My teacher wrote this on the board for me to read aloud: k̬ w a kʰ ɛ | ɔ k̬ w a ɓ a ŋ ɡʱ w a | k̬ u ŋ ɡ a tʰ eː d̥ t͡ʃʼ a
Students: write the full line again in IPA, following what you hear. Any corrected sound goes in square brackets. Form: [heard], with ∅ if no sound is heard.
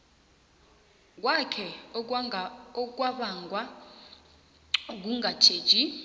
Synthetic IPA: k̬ w a kʰ ɛ | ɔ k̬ w a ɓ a ŋ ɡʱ w a | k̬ u ŋ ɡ a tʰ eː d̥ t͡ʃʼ [i]